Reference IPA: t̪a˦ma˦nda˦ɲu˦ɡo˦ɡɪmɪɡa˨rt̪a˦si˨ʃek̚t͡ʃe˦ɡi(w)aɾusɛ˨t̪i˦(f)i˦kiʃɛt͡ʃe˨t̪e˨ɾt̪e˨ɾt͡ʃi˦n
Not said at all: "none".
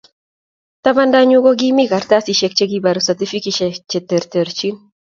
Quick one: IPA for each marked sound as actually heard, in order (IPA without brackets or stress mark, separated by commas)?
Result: b, f